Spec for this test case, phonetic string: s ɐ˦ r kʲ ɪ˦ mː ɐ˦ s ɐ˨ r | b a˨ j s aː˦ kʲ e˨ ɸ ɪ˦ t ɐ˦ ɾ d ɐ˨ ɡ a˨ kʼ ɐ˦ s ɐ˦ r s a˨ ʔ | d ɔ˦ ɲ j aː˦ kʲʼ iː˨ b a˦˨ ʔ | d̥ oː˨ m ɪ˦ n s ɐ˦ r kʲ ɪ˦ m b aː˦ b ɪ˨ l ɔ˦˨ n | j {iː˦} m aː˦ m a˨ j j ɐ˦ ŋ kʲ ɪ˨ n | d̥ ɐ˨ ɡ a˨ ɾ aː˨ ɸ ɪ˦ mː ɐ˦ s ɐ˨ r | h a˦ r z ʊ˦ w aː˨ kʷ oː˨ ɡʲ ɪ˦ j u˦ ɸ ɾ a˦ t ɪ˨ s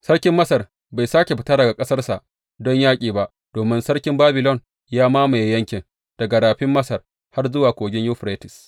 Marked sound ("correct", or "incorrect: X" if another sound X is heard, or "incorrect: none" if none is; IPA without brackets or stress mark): incorrect: aː˦